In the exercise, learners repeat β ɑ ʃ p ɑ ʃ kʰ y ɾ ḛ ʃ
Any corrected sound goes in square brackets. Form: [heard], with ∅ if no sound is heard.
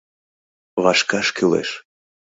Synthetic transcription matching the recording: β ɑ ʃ [k] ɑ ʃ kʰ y [l] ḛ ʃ